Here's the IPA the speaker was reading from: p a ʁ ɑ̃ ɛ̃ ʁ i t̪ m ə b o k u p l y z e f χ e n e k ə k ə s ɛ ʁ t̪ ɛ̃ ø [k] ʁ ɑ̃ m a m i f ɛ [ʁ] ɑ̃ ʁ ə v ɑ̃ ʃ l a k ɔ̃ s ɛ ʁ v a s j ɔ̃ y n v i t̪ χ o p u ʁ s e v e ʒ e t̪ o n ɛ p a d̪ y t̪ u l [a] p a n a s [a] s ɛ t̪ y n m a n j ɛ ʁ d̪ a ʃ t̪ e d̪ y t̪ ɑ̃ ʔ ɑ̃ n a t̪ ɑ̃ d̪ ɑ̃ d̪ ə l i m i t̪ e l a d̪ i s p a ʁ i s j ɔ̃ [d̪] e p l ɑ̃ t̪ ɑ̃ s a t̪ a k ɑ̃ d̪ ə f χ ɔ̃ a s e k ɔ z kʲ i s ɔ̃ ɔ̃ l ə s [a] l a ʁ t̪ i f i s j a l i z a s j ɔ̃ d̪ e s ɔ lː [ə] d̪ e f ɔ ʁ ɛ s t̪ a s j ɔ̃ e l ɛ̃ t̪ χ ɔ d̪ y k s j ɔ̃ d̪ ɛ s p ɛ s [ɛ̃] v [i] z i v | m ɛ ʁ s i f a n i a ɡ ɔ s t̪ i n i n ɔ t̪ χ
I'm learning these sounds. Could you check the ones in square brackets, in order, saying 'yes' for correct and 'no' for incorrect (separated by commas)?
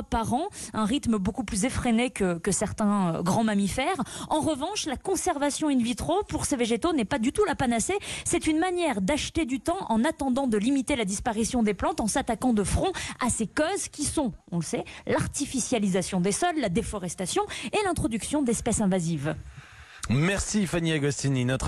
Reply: no, yes, yes, no, yes, no, no, yes, no